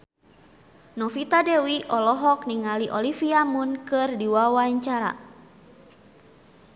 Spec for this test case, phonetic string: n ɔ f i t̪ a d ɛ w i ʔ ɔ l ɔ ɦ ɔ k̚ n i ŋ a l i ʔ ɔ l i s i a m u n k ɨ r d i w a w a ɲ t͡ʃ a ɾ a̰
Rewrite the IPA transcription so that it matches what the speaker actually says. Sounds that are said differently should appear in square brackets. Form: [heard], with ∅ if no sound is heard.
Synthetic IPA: n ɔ f i t̪ a d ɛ w i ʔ ɔ l ɔ ɦ ɔ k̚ n i ŋ a l i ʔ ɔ l i [f] i a m u n k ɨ r d i w a w a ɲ t͡ʃ a ɾ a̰